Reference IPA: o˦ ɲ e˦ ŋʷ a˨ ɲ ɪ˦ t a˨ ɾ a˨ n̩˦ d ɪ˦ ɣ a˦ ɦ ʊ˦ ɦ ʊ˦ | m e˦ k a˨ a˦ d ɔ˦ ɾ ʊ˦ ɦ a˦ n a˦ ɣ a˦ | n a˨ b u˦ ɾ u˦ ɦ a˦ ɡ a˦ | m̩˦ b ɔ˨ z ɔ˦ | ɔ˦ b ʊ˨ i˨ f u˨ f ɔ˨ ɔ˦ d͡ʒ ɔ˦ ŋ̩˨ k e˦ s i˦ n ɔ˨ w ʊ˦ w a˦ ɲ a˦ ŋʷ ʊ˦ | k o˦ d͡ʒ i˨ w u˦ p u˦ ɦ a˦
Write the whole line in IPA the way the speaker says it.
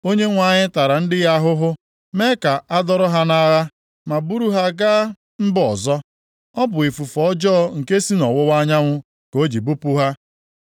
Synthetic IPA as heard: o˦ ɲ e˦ ŋʷ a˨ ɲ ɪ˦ t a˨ ɾ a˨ n̩˦ d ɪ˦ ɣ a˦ ɦ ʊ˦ ɦ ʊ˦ | m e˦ k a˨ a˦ d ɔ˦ ɾ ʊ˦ ɦ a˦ n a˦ ɣ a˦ | m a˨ b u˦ ɾ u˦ ɦ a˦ ɡ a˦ | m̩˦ b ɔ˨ z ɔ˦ | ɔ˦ b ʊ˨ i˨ f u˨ f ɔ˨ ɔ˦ d͡ʒ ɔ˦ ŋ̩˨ k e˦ s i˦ n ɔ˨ w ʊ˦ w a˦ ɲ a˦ ŋʷ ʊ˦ | k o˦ d͡ʒ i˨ b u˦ p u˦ ɦ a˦